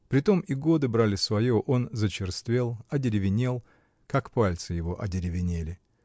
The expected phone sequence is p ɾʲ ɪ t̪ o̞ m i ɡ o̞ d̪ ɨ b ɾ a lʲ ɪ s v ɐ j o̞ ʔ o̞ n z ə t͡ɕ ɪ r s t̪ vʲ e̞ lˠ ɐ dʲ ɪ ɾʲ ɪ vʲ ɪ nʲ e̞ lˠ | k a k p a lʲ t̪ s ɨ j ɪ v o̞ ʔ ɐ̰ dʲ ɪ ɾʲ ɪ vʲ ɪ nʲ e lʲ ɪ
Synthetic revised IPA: p ɾʲ ɪ t̪ o̞ m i ɡ o̞ d̪ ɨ b ɾ a lʲ ɪ s v ɐ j o̞ ʔ o̞ n z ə t͡ɕ ɪ r s t̪ vʲ e̞ lˠ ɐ dʲ ɪ ɾʲ ɪ vʲ ɪ nʲ e̞ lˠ | k a k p a lʲ t̪ s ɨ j ɪ v o̞ ʔ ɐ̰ dʲ ɪ ɾʲ ɪ vʲ ɪ nʲ e lʲ ɪ